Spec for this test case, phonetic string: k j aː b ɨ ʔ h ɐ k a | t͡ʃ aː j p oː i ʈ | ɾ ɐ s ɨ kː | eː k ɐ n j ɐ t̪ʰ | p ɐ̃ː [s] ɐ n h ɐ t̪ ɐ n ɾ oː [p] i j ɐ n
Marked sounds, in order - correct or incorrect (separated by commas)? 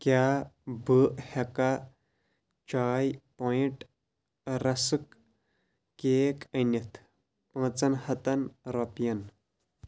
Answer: incorrect, correct